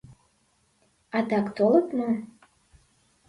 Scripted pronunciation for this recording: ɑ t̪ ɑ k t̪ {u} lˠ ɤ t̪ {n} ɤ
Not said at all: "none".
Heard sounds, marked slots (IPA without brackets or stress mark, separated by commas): o, m